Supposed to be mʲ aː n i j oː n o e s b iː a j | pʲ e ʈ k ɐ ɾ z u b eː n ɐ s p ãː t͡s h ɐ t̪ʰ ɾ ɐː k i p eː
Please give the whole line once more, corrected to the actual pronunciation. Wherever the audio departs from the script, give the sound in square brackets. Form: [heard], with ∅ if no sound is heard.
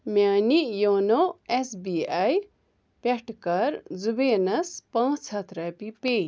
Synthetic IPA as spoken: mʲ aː n i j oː n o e s b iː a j | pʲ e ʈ k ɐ ɾ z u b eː n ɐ s p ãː t͡s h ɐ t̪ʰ ɾ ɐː [p] i p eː